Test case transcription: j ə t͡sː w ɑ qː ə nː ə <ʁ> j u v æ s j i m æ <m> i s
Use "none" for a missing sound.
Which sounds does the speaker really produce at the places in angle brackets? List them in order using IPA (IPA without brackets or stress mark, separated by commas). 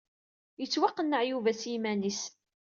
ʕ, n